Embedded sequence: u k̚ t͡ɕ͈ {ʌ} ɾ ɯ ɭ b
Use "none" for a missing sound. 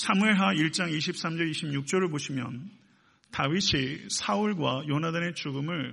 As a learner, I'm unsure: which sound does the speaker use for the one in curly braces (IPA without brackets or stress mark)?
ʌ